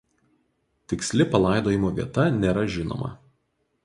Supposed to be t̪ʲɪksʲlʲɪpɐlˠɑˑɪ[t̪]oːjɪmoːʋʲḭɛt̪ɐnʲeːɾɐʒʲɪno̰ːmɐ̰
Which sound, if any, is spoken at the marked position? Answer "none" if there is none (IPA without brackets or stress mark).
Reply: d̪